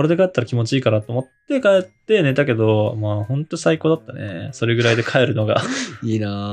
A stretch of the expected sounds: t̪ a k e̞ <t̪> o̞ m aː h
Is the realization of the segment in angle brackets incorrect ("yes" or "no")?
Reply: yes